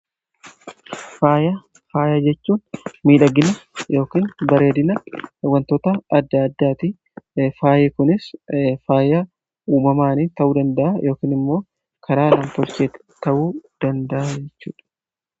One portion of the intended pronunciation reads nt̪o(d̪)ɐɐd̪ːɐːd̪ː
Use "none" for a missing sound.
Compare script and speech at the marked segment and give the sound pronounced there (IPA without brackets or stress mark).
t̪